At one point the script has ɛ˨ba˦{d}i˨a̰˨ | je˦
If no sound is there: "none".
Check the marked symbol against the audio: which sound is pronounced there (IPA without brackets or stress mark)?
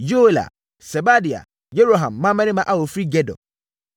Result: d